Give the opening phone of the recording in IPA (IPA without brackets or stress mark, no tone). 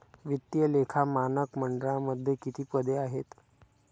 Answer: ʋ